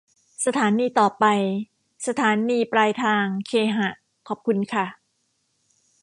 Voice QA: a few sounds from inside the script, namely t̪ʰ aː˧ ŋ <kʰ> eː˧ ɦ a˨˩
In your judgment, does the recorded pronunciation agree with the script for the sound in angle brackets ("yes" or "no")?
yes